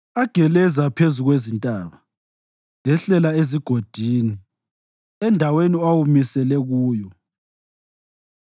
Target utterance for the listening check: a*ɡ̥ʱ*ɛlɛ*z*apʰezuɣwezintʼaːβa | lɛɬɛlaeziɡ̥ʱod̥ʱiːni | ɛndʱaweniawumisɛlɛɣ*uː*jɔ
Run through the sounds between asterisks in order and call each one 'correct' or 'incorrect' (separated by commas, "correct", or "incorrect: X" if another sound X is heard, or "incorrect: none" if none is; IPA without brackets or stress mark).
correct, correct, correct